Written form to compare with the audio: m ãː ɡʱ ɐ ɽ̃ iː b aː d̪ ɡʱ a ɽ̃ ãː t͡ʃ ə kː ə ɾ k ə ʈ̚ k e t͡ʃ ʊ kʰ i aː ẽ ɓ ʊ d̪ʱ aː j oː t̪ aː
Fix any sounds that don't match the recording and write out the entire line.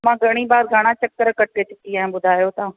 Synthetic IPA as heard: m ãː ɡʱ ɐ ɽ̃ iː b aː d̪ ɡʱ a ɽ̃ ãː t͡ʃ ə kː ə ɾ k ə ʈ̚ k e t͡ʃ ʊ k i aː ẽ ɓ ʊ d̪ʱ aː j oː t̪ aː